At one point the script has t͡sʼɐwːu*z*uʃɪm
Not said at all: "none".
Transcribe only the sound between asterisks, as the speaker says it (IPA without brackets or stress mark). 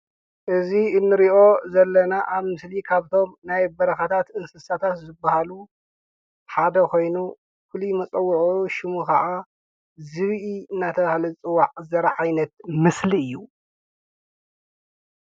ʕ